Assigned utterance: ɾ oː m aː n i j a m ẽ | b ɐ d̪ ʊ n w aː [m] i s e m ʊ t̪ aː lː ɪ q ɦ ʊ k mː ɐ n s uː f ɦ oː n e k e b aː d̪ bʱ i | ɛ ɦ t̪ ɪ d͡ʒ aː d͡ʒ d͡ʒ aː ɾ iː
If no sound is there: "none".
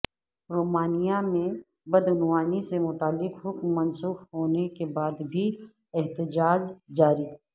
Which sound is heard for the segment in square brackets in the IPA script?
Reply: n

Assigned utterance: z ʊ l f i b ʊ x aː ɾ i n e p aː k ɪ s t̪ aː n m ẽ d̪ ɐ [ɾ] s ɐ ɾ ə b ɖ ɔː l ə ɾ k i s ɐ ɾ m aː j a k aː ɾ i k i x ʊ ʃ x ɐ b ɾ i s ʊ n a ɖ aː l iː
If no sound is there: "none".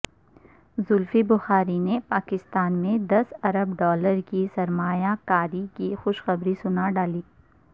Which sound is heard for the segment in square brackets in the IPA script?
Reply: none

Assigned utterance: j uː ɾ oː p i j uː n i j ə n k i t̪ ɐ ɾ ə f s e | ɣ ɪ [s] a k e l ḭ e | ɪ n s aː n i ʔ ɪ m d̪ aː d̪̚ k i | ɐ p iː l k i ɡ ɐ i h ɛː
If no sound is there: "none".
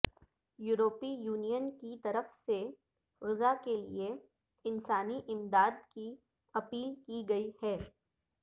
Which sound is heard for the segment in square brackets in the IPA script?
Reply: z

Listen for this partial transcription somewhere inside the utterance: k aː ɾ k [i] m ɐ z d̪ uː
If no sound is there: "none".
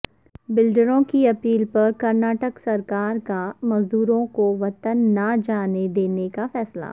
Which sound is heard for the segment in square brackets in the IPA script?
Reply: a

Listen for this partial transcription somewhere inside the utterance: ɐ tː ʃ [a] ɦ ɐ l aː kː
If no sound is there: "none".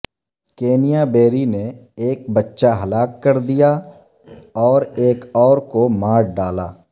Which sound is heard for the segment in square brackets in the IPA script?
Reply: a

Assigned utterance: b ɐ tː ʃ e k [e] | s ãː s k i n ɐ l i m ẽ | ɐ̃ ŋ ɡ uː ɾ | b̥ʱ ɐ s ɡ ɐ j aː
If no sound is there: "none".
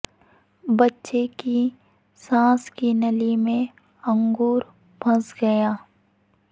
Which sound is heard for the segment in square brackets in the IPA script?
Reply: i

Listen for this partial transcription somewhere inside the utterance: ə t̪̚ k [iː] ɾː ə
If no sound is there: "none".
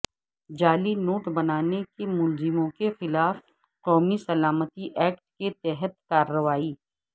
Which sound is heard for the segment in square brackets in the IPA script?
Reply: aː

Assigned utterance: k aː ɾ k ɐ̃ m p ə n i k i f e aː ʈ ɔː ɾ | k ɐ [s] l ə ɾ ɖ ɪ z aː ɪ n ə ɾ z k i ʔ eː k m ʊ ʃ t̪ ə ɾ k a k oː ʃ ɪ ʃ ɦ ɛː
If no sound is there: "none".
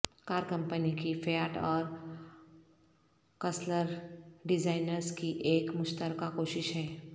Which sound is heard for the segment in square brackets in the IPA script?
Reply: s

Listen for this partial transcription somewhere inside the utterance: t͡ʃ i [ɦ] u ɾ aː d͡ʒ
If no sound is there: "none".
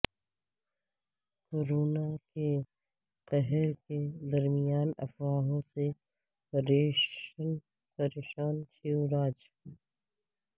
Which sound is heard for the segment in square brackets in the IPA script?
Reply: none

